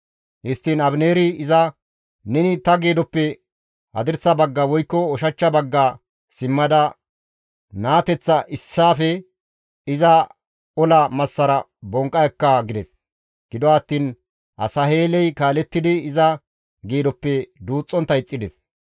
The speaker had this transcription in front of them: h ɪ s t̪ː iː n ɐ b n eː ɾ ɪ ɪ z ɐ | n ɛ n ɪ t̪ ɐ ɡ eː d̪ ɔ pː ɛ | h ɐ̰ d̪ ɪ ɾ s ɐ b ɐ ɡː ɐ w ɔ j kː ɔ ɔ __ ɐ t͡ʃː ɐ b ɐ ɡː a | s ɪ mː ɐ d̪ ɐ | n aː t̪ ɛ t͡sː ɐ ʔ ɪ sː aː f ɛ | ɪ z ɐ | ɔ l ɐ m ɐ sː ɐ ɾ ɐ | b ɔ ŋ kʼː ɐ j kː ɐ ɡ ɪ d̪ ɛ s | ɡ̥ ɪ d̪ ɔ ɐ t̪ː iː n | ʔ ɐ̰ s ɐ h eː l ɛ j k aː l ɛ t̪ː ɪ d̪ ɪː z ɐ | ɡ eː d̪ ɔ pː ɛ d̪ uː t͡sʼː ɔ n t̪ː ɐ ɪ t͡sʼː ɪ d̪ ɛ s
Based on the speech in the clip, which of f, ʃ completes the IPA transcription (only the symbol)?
ʃ